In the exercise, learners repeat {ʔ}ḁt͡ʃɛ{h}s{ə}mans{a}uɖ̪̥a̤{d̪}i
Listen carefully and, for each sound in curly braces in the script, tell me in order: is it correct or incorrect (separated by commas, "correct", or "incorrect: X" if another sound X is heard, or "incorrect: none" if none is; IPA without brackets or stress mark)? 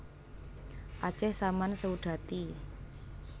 correct, correct, incorrect: a, incorrect: ə, incorrect: t̪